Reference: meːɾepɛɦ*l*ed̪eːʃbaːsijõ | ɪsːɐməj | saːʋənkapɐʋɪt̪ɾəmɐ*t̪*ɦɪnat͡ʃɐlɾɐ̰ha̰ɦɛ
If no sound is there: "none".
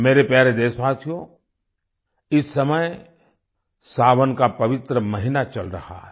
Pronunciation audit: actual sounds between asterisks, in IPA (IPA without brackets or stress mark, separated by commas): ɾ, none